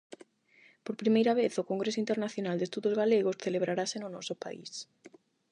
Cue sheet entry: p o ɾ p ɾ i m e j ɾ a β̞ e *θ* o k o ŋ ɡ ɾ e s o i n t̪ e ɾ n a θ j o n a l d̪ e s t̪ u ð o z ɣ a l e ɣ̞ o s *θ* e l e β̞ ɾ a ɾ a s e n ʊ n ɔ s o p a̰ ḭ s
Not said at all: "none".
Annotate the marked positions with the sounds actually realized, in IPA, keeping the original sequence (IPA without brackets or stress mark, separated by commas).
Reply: θ, θ